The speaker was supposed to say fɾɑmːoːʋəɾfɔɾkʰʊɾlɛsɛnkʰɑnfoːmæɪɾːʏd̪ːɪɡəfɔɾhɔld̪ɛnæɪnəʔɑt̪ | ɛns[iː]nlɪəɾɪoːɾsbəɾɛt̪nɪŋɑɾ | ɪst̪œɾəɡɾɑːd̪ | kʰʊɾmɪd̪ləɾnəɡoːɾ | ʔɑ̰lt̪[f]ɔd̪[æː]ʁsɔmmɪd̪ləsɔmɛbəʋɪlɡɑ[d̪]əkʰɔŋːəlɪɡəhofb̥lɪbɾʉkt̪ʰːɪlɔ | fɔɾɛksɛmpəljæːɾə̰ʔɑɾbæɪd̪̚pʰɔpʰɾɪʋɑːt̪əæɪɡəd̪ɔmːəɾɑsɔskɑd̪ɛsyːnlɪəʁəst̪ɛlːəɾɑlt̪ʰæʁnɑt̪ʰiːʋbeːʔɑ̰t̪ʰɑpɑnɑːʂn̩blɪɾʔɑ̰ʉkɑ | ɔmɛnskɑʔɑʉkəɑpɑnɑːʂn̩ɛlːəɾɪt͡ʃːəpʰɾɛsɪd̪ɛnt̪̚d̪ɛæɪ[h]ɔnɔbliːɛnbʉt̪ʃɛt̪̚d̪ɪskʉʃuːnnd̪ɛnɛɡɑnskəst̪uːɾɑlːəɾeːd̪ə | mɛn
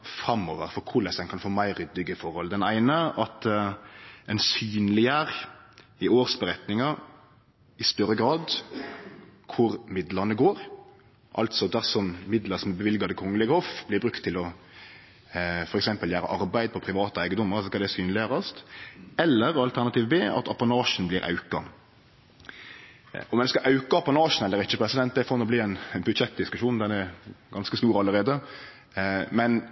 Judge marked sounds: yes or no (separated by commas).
no, no, no, yes, no